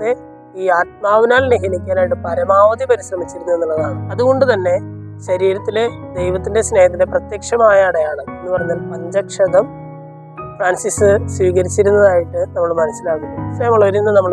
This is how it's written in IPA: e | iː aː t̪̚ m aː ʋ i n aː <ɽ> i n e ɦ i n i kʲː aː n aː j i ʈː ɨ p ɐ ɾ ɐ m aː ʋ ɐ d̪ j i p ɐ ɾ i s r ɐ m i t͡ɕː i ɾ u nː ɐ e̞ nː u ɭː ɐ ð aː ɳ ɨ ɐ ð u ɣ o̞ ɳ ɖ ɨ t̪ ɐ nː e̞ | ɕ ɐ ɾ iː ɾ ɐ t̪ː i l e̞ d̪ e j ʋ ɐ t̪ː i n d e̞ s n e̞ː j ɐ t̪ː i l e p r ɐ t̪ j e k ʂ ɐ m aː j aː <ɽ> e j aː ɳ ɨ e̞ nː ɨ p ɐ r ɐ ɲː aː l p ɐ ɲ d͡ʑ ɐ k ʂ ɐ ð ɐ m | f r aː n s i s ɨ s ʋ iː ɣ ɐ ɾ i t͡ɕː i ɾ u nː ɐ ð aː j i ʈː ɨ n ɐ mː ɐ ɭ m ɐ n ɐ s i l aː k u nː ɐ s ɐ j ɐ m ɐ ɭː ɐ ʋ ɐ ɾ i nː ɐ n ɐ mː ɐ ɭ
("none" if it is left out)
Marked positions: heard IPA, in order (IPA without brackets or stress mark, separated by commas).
l, ɽ